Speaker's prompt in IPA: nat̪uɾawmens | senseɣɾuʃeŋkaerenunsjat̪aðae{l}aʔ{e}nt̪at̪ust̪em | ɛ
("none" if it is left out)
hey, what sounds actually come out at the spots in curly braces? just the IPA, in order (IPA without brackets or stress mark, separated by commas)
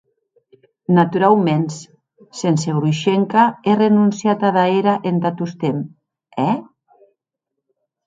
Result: ɾ, e